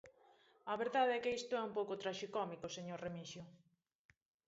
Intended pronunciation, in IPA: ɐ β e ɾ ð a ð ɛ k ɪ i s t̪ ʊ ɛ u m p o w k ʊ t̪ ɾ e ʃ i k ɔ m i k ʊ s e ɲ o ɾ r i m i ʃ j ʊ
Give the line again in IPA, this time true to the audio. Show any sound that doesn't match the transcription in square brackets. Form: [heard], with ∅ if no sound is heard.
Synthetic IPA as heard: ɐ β e ɾ ð a ð ɛ k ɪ i s t̪ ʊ ɛ u m p o w k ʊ t̪ ɾ [a] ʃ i k ɔ m i k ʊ s e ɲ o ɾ r [e] m i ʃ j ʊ